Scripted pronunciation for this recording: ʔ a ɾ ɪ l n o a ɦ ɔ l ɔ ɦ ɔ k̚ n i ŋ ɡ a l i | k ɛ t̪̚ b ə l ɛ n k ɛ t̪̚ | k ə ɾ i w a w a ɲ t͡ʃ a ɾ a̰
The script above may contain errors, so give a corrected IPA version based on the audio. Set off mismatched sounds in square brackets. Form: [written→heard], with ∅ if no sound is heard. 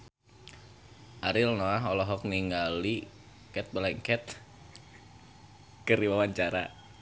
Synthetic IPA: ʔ a ɾ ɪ l n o a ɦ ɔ l ɔ ɦ ɔ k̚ n i ŋ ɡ a l i | k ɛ t̪̚ b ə l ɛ [n→ŋ] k ɛ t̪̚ | k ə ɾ i w a w a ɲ t͡ʃ a ɾ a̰